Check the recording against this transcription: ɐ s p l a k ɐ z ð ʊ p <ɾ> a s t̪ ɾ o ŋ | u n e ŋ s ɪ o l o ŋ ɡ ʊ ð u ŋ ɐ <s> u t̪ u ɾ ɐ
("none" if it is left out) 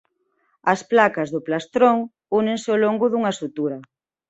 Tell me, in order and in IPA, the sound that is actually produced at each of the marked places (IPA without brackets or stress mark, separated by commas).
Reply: l, s